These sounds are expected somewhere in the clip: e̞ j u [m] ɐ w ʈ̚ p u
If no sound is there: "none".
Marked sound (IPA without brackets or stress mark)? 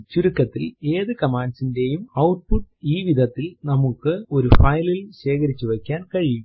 m